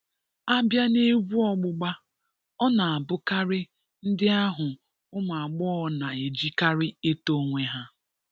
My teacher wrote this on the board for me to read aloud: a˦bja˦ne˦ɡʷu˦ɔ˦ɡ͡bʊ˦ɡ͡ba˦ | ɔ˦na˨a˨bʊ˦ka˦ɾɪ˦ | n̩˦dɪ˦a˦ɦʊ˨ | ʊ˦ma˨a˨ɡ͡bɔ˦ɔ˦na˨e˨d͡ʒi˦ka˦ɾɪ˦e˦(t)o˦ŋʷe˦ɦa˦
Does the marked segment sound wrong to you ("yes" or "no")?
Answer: no